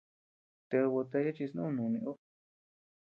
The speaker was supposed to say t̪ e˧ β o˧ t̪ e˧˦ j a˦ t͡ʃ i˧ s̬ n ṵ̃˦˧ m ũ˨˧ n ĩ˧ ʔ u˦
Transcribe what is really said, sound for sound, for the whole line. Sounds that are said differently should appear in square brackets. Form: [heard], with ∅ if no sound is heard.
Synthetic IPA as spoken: t̪ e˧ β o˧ t̪ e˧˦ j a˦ t͡ʃ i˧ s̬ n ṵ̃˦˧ [n] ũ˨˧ n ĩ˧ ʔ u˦